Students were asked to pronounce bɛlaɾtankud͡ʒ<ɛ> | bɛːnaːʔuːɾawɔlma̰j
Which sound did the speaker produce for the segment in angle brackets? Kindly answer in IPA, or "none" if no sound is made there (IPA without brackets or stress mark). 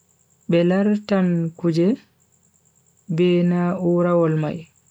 ɛ